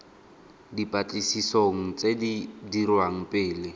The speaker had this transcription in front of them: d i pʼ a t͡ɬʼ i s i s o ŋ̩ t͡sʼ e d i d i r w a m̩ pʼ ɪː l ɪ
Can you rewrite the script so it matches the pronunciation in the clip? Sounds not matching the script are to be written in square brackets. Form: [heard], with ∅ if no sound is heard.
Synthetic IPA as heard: d i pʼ a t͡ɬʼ i s i s o ŋ̩ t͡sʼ e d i d i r w a [ŋ̩] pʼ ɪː l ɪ